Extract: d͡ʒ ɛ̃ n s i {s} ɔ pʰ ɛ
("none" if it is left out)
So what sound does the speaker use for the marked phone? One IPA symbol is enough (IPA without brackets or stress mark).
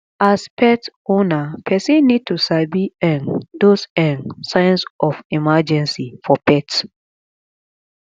f